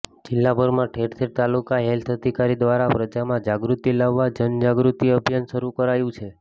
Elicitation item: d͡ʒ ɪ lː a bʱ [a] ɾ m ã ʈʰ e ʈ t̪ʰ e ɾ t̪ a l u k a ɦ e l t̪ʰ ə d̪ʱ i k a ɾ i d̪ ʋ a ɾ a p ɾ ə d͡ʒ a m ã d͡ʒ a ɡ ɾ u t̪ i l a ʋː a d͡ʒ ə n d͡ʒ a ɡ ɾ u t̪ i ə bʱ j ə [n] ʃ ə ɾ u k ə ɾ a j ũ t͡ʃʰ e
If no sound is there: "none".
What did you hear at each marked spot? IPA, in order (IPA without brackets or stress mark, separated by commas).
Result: ə, n